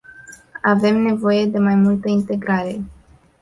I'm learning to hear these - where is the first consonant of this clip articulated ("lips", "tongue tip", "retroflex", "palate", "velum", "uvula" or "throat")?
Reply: lips